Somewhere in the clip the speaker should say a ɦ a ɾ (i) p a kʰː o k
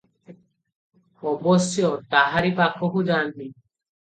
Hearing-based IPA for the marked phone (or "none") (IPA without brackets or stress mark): i